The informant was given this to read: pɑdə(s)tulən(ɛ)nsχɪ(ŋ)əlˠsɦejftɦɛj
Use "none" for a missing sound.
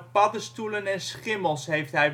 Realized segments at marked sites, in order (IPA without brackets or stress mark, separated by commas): s, ɛ, m